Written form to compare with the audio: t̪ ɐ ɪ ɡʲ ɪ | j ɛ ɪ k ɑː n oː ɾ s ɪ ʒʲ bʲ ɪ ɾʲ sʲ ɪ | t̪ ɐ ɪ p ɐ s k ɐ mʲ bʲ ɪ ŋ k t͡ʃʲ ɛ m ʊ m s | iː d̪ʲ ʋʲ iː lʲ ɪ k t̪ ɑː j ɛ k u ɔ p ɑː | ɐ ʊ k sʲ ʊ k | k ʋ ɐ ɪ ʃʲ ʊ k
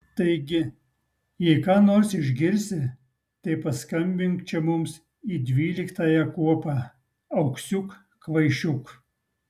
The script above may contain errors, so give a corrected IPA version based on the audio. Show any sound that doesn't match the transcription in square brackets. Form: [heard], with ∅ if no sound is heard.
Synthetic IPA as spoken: t̪ ɐ ɪ ɡʲ ɪ | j ɛ ɪ k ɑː n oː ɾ s ɪ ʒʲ [ɡʲ] ɪ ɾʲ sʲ ɪ | t̪ ɐ ɪ p ɐ s k ɐ mʲ bʲ ɪ ŋ k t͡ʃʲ ɛ m ʊ m s | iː d̪ʲ ʋʲ iː lʲ ɪ k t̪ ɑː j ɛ k u ɔ p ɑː | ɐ ʊ k sʲ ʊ k | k ʋ ɐ ɪ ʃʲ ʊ k